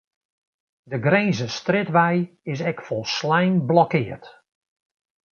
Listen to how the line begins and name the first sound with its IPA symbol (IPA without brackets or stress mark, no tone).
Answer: d